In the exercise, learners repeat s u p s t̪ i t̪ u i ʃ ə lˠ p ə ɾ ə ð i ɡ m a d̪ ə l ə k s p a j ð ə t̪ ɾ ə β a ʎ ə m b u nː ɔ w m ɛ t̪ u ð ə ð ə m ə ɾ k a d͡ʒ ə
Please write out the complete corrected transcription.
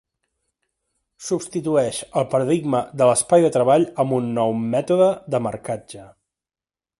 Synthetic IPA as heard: s u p s t̪ i t̪ u ɛ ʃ ə lˠ p ə ɾ ə ð i ɡ m ə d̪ ə l ə s p a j ð ə t̪ ɾ ə β a ʎ ə m b u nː ɔ w m ɛ t̪ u ð ə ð ə m ə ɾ k a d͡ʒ ə